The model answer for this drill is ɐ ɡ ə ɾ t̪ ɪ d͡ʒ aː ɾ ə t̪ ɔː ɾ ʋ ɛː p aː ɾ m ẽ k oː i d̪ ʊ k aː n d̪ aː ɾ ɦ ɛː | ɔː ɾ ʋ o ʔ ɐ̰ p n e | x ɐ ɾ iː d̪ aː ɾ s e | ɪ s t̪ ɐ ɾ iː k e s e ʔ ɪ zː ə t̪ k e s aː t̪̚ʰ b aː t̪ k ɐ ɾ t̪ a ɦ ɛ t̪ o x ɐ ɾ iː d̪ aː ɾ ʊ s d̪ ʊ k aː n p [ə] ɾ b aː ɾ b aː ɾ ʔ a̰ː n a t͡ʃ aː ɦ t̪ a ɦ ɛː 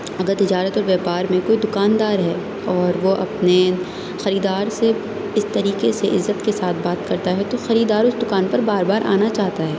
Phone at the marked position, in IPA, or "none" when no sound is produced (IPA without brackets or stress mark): ɐ